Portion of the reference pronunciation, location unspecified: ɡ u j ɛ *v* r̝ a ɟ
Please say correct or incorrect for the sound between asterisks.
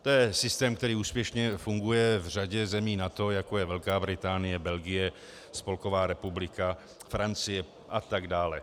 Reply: correct